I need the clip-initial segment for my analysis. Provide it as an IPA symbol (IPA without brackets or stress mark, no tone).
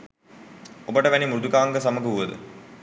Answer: o